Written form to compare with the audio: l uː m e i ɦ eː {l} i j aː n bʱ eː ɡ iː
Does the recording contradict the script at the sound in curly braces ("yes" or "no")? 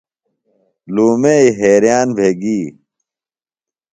yes